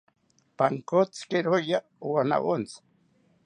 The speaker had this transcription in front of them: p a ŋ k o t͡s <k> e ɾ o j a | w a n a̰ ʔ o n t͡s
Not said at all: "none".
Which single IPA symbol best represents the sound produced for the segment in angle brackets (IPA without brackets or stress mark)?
k